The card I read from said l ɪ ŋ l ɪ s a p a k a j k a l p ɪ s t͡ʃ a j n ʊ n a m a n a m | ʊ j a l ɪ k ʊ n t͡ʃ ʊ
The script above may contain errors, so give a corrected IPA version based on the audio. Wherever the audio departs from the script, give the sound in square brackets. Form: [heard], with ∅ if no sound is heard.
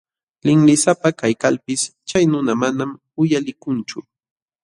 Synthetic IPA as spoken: l ɪ ŋ l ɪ s a p a k a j k a l p ɪ s t͡ʃ a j n ʊ n a m a n a m | ʊ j a l ɪ k ʊ n t͡ʃ ʊ

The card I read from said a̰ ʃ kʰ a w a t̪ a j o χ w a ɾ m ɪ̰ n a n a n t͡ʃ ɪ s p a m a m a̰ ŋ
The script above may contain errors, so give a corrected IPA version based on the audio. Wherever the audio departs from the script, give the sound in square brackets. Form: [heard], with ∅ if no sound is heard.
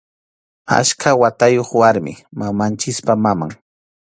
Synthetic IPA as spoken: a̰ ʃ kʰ a w a t̪ a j o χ w a ɾ m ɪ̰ [m] a [m] a n t͡ʃ ɪ s p a m a m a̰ ŋ

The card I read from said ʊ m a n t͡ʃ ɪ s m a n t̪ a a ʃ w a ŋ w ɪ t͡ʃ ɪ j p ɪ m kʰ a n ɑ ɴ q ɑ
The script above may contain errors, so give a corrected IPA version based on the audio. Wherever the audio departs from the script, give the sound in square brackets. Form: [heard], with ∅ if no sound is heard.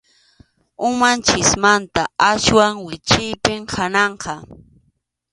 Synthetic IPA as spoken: ʊ m a n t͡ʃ ɪ s m a n t̪ a a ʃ w a ŋ w ɪ t͡ʃ ɪ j p ɪ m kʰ a n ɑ ɴ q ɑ

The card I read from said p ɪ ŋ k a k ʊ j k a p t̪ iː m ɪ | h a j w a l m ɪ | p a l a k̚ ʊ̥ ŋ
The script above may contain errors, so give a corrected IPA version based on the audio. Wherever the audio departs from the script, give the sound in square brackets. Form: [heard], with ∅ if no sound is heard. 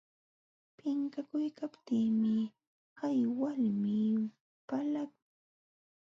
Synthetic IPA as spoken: p ɪ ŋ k a k ʊ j k a p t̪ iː m ɪ | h a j w a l m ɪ | p a l a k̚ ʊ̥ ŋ

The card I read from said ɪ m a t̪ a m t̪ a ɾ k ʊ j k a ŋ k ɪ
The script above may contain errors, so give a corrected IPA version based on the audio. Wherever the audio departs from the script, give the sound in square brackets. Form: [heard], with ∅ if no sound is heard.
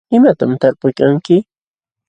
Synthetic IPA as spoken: ɪ m a t̪ a m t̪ a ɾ [p] ʊ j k a ŋ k ɪ

